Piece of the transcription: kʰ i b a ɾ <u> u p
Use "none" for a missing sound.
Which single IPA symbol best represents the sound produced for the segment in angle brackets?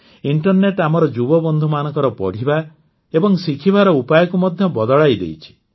ɔ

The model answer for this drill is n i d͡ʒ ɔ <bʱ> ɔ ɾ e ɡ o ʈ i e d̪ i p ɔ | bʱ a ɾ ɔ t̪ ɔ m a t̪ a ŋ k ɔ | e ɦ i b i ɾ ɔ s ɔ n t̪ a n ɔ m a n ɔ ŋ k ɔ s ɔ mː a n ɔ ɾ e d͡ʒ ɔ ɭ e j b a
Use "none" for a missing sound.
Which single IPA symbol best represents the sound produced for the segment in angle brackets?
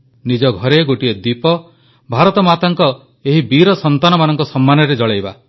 ɡʱ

